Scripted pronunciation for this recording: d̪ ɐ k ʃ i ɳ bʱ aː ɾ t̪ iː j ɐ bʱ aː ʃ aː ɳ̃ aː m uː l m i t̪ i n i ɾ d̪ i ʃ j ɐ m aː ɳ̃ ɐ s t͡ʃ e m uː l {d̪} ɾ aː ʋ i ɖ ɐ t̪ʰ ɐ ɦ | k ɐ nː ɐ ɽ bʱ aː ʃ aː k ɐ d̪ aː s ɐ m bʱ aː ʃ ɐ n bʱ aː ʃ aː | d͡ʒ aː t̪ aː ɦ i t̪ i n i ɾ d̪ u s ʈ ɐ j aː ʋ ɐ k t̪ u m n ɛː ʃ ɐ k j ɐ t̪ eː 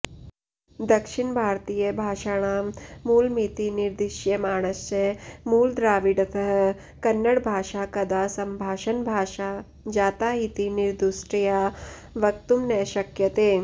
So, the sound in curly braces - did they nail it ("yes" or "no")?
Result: yes